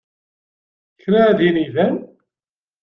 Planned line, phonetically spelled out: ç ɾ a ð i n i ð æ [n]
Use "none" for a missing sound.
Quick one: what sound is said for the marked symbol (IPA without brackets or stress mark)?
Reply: n